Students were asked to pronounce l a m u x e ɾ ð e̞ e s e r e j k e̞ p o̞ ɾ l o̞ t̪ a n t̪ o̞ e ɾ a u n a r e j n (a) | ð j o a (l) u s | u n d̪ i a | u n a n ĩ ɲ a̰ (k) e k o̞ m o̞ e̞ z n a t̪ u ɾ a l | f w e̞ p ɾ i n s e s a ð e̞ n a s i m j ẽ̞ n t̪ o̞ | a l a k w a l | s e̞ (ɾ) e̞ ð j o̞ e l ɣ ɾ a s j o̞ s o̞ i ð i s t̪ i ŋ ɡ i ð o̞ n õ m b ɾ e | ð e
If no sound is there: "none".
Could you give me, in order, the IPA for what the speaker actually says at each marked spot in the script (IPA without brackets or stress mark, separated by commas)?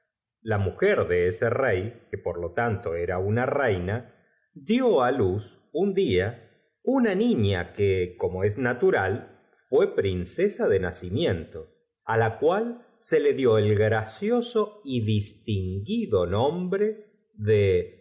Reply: a, l, k, l